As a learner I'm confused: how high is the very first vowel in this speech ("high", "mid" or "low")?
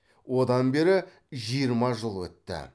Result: mid